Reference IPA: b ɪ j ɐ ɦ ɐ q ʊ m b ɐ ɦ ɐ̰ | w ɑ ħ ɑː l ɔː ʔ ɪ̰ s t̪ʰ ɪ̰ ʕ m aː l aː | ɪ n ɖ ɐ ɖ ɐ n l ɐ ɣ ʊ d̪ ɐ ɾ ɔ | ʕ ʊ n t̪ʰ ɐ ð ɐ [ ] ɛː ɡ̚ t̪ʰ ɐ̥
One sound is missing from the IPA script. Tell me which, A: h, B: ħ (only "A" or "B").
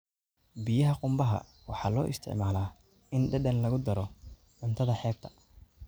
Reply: B